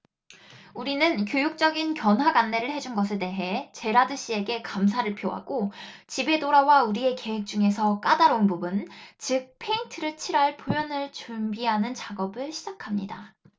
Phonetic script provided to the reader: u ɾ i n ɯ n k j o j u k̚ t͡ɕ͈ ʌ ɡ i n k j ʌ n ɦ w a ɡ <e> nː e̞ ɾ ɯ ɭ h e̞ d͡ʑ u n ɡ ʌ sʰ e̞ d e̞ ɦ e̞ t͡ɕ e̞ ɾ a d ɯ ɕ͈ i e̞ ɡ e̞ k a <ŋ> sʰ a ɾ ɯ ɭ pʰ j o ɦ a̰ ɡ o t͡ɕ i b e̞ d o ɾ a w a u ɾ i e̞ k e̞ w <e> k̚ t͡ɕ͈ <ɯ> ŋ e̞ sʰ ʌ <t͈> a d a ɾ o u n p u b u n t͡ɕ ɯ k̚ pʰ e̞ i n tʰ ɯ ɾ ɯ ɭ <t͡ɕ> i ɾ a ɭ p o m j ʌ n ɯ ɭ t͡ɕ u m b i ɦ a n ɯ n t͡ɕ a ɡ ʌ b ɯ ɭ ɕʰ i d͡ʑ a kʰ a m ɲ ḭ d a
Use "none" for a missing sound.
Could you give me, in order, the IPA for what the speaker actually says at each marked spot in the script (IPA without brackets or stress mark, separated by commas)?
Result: a, m, e, u, k͈, t͡ɕʰ